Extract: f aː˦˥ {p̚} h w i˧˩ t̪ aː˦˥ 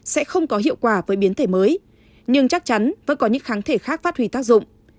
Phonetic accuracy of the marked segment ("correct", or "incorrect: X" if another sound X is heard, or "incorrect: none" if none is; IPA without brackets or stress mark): incorrect: t̚